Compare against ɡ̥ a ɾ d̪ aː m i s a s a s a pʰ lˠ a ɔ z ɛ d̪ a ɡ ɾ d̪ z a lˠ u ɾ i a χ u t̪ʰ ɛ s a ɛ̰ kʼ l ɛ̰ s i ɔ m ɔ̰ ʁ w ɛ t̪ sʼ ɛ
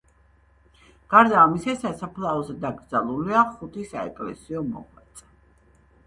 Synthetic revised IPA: ɡ̥ a ɾ d̪ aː m i s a s a s a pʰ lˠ a ɔ z ɛ d̪ a ɡ ɾ d̪ z a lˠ u l i a χ u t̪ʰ i s a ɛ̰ kʼ l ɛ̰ s i ɔ m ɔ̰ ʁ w ɛ t̪ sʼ ɛ